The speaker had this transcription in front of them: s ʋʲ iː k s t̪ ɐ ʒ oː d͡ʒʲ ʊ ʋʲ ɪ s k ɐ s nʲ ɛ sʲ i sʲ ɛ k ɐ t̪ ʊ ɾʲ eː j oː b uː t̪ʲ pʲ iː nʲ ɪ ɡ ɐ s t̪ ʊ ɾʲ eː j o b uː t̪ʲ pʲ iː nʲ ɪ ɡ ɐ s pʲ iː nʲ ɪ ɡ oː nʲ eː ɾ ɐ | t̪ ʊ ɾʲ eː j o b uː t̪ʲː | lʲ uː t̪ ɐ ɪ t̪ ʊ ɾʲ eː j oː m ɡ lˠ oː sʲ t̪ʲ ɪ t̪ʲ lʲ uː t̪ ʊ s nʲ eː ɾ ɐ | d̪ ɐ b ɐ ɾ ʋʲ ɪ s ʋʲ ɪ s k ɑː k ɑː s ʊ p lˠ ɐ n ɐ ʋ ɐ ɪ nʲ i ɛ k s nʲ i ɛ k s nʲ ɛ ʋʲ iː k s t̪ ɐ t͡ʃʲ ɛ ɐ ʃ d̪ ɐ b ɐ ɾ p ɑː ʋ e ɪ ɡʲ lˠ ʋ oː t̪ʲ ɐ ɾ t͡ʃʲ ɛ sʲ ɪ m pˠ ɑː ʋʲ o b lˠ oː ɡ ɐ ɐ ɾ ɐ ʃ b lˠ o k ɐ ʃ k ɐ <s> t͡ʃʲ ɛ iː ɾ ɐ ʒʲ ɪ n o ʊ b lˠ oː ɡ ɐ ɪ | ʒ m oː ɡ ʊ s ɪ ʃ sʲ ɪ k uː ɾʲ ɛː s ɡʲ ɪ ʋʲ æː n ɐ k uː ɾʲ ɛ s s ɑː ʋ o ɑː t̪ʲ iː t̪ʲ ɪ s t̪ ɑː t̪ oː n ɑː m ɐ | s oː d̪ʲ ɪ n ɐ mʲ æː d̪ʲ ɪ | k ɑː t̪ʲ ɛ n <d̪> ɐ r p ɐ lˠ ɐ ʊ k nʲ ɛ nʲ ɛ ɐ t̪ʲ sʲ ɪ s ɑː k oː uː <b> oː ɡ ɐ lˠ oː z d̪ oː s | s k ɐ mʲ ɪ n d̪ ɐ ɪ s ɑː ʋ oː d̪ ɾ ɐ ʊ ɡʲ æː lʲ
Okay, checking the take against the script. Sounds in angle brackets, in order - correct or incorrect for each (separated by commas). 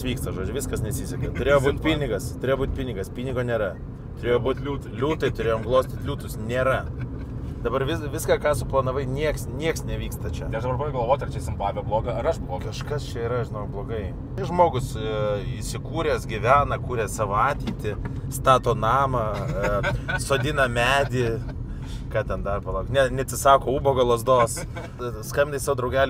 correct, correct, correct